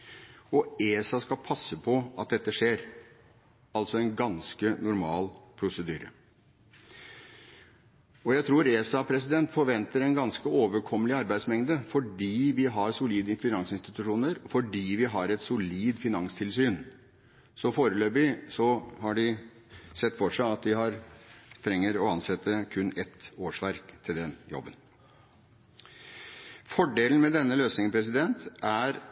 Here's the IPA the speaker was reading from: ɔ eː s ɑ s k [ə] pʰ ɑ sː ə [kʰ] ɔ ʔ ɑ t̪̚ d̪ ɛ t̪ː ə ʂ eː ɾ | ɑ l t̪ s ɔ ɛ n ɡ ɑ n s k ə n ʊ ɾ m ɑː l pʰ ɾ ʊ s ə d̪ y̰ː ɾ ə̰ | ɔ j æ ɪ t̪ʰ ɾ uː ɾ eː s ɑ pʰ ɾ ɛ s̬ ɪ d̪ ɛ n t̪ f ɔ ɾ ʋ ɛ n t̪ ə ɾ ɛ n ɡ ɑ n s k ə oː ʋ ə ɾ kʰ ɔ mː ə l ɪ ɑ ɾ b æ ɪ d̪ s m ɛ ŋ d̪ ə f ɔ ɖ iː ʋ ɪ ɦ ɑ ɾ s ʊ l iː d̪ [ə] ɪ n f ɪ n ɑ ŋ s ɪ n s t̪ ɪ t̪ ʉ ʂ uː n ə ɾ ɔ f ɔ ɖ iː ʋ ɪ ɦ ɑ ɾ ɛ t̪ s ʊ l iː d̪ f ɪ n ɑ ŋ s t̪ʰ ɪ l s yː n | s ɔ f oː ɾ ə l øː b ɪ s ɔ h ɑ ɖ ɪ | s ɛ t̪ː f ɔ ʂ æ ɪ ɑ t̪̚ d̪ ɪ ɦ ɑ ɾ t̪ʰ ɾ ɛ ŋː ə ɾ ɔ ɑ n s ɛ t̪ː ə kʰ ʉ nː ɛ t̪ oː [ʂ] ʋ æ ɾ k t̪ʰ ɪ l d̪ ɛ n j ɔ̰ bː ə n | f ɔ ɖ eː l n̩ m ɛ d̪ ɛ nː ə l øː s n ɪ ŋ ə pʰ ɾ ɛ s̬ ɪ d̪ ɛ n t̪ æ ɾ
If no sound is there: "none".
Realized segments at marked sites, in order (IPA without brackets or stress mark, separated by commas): ɑ, pʰ, ə, ʂ